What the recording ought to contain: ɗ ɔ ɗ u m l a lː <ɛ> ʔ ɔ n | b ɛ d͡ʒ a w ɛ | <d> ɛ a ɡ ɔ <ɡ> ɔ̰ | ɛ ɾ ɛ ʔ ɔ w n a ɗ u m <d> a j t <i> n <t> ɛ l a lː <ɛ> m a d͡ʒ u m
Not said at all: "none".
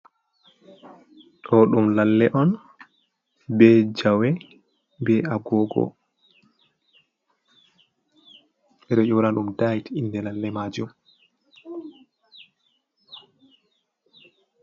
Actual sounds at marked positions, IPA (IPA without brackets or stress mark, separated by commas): ɛ, b, ɡ, d, i, d, ɛ